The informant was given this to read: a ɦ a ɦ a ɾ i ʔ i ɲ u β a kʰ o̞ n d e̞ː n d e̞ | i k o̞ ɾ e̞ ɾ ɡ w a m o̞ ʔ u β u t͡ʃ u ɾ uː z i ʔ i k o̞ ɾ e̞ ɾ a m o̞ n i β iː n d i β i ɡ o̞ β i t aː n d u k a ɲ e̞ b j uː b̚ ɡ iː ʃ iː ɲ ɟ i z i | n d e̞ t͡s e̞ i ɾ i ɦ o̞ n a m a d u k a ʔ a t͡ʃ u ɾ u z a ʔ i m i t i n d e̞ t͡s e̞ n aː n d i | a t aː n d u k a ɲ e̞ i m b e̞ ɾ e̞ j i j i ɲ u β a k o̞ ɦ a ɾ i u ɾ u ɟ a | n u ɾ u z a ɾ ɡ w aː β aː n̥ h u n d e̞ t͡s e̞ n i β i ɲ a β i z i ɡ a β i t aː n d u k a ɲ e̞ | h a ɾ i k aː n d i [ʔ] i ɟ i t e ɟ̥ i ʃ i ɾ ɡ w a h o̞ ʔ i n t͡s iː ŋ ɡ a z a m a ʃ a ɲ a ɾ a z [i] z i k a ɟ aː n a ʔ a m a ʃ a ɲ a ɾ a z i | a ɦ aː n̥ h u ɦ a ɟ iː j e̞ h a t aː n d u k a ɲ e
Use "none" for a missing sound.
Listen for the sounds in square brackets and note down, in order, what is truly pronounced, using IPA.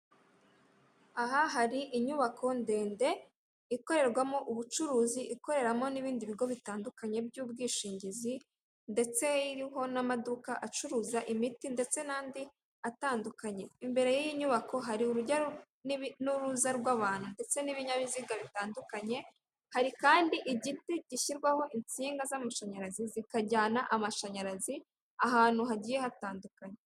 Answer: ʔ, i

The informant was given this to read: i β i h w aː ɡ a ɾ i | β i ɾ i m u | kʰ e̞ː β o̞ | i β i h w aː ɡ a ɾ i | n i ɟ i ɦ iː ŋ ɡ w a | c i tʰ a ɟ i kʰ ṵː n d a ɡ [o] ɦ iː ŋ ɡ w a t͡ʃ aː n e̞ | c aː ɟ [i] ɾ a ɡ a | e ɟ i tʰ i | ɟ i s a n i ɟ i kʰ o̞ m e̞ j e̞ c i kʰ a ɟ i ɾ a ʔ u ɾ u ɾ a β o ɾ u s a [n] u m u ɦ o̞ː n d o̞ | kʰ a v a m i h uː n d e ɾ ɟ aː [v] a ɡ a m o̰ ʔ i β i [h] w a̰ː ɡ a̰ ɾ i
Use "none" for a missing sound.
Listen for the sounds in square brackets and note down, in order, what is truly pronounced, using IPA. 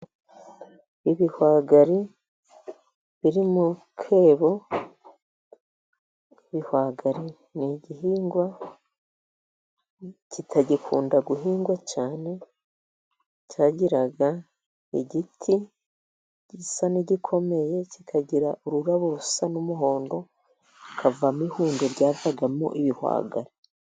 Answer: u, i, n, v, h

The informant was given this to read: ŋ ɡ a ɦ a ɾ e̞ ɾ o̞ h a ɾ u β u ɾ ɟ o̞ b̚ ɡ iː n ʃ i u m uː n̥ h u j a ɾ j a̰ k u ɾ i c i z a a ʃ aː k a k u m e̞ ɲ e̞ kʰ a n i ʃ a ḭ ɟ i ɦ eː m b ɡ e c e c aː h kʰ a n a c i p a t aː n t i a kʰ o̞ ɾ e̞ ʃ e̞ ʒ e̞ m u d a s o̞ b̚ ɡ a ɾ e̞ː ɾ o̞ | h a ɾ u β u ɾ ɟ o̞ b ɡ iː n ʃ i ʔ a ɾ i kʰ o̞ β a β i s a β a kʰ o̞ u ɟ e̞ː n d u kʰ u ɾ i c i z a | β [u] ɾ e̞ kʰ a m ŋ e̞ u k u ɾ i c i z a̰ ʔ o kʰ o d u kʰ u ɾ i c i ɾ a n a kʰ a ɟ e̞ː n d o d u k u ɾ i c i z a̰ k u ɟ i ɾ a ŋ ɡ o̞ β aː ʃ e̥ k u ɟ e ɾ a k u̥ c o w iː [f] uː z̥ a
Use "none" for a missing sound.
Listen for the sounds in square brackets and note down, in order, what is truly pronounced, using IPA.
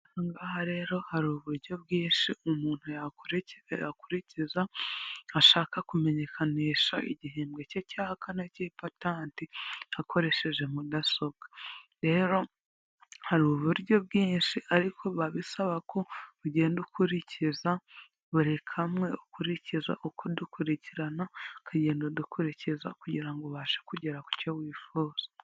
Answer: u, f

